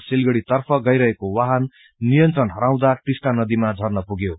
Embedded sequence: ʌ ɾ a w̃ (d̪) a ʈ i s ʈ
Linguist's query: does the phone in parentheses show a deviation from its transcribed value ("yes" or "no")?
no